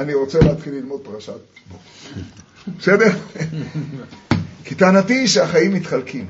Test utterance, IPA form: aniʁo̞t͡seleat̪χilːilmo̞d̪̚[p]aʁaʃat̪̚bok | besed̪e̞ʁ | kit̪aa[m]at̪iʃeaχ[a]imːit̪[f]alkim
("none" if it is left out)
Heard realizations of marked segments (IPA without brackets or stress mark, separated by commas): p, n, a, χ